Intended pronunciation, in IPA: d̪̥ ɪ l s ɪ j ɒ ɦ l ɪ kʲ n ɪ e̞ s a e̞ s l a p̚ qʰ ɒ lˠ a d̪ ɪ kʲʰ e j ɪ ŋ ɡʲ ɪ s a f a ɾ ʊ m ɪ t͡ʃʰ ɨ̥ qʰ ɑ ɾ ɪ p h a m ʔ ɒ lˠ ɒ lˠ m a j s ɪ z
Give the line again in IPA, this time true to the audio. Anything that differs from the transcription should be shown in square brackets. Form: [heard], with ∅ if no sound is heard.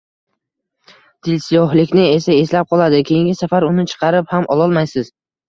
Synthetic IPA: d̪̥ ɪ l s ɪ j ɒ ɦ l ɪ kʲ n ɪ e̞ s a e̞ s l a p̚ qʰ ɒ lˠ a d̪ ɪ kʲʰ e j ɪ ŋ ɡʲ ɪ s a f a ɾ ʊ [n] ɪ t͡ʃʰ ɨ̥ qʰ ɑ ɾ ɪ p h a m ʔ ɒ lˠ ɒ lˠ m a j s ɪ z